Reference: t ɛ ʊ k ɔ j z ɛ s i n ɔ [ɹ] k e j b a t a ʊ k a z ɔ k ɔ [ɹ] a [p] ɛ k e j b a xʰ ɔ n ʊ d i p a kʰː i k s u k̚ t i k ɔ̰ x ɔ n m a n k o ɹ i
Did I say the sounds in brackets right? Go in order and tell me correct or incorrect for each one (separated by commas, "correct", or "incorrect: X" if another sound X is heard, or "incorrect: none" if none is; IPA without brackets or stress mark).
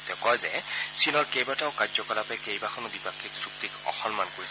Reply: correct, incorrect: l, correct